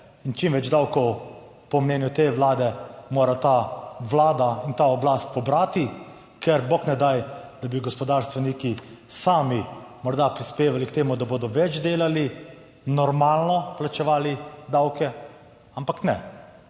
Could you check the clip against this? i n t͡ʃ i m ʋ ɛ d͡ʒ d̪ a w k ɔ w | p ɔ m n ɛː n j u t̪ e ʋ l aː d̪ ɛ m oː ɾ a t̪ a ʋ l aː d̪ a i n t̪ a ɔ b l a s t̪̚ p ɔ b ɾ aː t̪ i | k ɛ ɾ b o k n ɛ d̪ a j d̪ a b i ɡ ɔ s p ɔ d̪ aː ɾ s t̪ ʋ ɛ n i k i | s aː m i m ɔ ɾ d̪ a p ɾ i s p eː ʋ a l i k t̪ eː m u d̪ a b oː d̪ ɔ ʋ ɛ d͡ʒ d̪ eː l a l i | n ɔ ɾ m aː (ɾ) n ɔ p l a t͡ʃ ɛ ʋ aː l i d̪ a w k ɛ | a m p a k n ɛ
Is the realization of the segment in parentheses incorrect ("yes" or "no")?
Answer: yes